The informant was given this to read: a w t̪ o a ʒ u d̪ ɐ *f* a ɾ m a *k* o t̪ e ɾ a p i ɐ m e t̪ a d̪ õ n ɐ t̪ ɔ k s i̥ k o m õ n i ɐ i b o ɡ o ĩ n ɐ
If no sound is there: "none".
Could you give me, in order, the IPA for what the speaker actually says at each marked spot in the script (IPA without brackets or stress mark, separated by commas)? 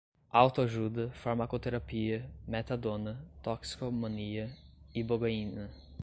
f, k